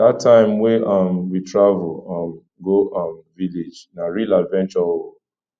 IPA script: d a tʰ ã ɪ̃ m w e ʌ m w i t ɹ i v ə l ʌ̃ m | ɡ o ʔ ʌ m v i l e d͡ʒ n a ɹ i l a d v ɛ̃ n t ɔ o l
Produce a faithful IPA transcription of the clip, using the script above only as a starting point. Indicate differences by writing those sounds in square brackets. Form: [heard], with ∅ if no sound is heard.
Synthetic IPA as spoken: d a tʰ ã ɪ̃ m w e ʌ m w i t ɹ [a] v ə l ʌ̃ m | ɡ o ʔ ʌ m v i l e d͡ʒ n a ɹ i l a d v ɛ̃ n [t͡ʃ] ɔ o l